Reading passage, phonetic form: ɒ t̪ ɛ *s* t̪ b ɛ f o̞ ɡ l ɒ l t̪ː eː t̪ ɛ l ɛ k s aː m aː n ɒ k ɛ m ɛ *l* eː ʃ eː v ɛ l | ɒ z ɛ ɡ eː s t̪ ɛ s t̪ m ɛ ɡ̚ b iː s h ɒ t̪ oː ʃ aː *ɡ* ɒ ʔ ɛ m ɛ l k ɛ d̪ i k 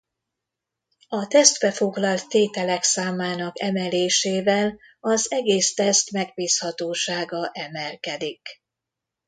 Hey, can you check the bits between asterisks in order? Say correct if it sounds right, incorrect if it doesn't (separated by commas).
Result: correct, correct, correct